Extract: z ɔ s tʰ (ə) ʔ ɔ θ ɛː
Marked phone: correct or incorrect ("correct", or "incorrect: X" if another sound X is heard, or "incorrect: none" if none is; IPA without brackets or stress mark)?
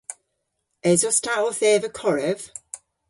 incorrect: a